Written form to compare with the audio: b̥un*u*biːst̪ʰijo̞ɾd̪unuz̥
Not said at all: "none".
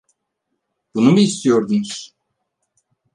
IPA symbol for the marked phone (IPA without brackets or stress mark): u